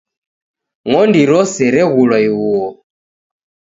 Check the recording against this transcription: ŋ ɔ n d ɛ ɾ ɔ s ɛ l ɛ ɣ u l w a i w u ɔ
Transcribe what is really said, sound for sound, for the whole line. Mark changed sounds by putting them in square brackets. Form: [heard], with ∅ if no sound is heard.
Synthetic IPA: ŋ ɔ n d [i] ɾ ɔ s ɛ [ɾ] ɛ ɣ u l w a i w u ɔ